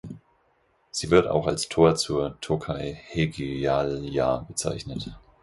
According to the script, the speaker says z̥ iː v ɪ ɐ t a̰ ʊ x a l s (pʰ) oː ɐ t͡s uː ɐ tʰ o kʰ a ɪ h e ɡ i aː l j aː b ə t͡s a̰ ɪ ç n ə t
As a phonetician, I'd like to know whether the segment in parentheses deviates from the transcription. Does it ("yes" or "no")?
yes